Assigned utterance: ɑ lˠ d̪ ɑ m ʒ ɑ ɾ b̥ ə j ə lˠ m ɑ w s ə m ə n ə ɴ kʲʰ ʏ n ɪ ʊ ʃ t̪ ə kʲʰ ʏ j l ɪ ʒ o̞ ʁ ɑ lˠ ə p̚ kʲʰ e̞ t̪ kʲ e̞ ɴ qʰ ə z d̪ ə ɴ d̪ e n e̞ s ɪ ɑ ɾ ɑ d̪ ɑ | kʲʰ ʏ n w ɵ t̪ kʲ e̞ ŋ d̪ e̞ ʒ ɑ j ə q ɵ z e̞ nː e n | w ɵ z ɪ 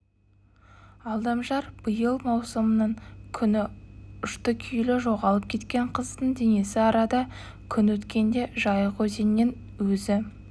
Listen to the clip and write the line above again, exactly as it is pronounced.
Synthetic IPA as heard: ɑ lˠ d̪ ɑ m ʒ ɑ ɾ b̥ ə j ə lˠ m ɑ w s ə m ə n ə ɴ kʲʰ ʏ n ɪ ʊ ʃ t̪ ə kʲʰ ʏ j l ɪ ʒ o̞ ʁ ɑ lˠ ə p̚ kʲʰ e̞ t̪ kʲ e̞ ɴ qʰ ə z d̪ ə ɴ d̪ e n e̞ s ɪ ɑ ɾ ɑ d̪ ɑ | kʲʰ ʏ n w ɵ t̪ kʲ e̞ n d̪ e̞ ʒ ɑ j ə q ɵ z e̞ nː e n | w ɵ z ɪ